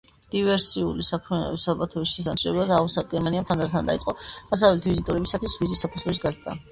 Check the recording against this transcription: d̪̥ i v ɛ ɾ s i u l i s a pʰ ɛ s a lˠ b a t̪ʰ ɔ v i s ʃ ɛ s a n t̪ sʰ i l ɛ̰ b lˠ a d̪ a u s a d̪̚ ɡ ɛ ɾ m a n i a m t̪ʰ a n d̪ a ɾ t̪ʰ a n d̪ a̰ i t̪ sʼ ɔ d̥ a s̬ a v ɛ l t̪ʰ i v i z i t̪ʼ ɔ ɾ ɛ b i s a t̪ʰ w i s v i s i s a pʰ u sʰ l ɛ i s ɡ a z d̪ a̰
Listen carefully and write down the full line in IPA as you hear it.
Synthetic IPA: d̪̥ i v ɛ ɾ s i u l i s a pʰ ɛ s a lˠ b a t̪ʰ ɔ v i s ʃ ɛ s a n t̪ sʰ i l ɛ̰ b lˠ a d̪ a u s a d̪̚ ɡ ɛ ɾ m a n i a m t̪ʰ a n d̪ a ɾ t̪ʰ a n d̪ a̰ i t̪ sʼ ɔ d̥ a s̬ a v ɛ l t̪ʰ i v i z i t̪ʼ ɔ ɾ ɛ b i s a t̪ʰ w i s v i z i s a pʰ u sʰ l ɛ i s ɡ a z d̪ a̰